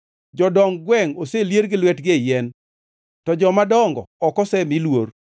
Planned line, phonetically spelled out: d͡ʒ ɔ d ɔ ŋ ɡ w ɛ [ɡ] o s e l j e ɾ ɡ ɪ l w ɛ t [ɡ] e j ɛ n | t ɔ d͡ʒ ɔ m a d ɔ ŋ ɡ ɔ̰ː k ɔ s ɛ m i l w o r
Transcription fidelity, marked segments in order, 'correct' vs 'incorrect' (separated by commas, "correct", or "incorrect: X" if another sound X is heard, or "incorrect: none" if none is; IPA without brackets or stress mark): incorrect: ŋ, correct